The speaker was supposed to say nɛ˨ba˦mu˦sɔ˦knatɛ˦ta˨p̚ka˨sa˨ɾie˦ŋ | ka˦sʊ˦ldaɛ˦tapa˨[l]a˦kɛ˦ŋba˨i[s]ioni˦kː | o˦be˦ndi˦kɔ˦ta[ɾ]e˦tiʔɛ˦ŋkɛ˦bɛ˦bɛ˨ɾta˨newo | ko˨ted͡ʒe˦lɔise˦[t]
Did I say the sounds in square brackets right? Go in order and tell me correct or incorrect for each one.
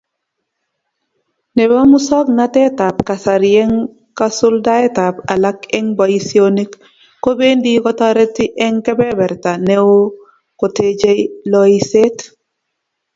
correct, correct, correct, correct

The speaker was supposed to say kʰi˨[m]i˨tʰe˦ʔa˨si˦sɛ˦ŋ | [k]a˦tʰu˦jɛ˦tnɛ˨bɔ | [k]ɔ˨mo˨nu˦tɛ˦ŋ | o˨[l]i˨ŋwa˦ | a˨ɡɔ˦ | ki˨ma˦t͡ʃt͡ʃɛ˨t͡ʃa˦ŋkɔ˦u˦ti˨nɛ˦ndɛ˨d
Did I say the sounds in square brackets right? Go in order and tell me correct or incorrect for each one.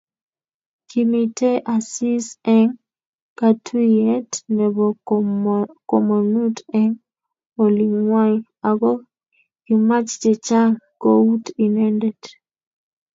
correct, correct, correct, correct

